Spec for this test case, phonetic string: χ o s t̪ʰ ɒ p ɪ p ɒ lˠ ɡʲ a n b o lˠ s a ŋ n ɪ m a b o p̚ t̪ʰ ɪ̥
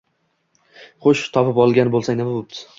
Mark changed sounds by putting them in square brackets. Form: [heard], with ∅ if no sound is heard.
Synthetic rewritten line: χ o [ʃ] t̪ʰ ɒ p ɪ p ɒ lˠ ɡʲ a n b o lˠ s a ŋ n ɪ m a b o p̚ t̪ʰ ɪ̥